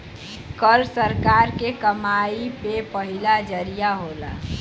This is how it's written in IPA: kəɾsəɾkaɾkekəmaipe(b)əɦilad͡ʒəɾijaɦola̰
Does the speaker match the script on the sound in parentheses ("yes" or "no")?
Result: no